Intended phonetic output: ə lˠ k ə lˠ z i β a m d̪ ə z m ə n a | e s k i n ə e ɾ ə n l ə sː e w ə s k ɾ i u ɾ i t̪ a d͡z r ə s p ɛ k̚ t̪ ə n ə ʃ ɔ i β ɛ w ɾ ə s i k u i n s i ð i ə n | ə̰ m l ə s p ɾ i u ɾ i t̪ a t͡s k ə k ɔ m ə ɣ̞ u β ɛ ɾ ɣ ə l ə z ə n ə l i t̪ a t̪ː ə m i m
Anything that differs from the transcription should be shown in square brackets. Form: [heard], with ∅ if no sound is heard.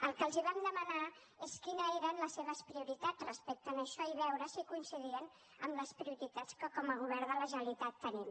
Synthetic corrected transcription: ə lˠ k ə lˠ z i β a m d̪ ə [∅] m ə n a | e s k i n ə e ɾ ə n l ə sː e [β] ə s [p] ɾ i u ɾ i t̪ a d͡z r ə s p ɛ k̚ t̪ ə n ə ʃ ɔ i β ɛ w ɾ ə s i k u i n s i ð i ə n | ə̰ m l ə s p ɾ i u ɾ i t̪ a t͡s k ə k ɔ m ə ɣ̞ u β ɛ ɾ [ð] ə l ə [ʒ] ə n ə l i t̪ a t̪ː ə [n] i m